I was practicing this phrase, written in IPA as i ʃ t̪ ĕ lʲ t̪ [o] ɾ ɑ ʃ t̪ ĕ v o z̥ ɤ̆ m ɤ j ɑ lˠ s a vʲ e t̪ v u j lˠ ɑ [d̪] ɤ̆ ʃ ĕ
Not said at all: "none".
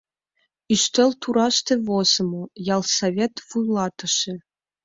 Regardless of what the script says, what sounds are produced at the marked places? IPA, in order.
u, t̪

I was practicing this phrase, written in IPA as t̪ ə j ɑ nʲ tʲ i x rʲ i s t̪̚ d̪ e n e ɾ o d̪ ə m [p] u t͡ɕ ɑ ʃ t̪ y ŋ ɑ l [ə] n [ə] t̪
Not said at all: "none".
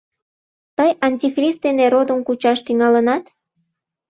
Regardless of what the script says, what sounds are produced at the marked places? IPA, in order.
k, ə, ɑ

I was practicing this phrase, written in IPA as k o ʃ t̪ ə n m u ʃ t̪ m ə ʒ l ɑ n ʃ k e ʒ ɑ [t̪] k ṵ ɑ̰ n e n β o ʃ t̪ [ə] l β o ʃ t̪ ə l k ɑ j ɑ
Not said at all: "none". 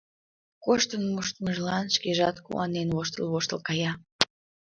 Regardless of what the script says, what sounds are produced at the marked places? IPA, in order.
t̪, ə

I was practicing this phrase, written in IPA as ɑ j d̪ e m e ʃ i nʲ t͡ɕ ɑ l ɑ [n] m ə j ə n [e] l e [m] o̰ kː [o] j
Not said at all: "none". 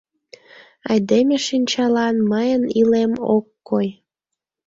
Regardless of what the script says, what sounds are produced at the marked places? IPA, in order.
n, i, m, o

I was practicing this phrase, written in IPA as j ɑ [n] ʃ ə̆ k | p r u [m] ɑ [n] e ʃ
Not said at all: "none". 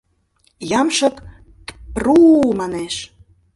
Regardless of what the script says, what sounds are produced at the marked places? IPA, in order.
m, m, n

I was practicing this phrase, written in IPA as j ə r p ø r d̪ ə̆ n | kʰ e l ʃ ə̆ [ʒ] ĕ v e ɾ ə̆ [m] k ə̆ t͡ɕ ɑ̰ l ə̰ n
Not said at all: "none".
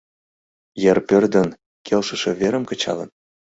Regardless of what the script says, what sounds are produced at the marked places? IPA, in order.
ʃ, m

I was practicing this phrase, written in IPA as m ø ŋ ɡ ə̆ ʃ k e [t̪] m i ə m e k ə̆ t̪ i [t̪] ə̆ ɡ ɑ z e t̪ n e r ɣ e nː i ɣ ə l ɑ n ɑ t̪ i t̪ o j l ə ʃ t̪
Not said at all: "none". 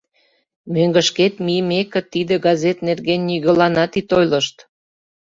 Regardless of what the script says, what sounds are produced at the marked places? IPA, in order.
t̪, d̪

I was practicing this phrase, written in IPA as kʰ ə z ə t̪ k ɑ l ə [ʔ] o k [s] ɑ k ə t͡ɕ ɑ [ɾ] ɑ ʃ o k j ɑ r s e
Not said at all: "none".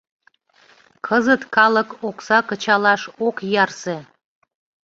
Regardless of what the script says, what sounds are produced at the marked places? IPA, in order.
k, s, l

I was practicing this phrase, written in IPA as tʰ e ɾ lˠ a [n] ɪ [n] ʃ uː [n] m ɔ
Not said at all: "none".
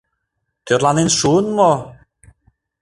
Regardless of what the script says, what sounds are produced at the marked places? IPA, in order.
n, n, n

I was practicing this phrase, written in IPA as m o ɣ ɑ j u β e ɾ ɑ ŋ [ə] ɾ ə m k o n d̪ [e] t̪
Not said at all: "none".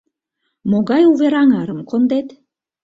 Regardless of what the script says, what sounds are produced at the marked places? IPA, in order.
ɑ, e

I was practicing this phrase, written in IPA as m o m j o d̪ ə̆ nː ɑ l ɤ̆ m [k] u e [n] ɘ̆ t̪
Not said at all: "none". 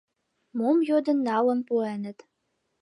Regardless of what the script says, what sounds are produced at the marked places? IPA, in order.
p, n

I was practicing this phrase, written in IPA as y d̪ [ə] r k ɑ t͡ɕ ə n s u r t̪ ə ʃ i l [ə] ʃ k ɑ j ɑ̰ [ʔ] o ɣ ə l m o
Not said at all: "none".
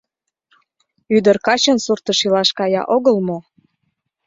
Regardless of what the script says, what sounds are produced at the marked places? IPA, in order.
ə, ɑ, ʔ

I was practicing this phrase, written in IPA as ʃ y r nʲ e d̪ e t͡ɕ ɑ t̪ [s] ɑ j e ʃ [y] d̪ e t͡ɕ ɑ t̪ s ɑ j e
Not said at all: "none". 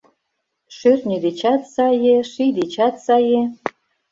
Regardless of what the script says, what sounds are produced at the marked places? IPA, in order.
s, i

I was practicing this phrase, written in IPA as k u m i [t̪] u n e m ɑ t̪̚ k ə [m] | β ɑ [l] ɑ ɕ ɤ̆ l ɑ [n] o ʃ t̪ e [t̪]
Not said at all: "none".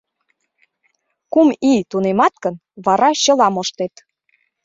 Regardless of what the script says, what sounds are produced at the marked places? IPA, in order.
t̪, n, ɾ, m, t̪

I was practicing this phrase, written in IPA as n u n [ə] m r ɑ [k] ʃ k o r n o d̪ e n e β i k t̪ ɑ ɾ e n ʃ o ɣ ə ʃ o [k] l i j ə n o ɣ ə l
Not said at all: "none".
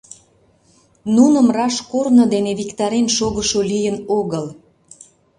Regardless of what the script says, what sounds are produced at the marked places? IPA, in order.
ə, none, none

